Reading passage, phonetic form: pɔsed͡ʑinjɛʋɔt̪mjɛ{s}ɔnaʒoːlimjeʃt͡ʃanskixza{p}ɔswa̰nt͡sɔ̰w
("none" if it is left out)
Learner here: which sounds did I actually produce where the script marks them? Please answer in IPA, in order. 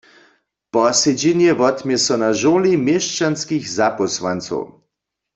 s, p

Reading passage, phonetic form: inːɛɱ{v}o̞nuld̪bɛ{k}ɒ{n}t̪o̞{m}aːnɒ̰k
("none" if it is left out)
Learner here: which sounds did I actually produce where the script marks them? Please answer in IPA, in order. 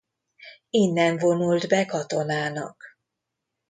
v, k, none, n

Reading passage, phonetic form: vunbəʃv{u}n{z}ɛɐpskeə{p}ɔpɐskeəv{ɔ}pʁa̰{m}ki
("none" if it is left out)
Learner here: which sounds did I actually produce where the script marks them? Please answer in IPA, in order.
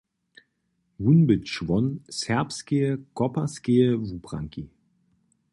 ɔ, s, k, u, ŋ

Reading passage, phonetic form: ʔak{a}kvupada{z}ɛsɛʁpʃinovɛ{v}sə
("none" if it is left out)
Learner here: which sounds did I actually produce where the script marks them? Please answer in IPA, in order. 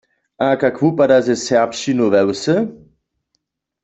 a, z, w

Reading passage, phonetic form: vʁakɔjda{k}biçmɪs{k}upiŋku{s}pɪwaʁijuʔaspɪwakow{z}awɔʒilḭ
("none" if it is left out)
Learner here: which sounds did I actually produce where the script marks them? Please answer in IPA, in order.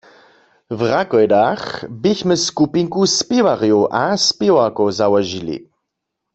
x, k, s, z

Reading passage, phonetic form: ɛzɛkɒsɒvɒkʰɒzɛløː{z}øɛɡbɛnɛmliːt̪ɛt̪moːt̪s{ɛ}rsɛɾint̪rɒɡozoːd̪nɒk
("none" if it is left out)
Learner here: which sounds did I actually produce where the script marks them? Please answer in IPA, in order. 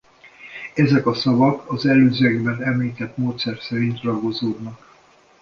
z, ɛ

